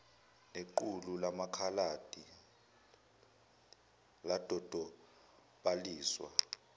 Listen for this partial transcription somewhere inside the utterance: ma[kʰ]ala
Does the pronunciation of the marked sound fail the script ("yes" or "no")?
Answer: no